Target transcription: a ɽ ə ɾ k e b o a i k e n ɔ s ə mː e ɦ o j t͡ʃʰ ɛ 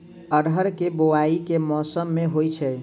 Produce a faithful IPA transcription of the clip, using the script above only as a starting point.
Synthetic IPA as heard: ə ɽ ə ɾ k e b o a i k e m ɔ s ə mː e ɦ o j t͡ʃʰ ɛ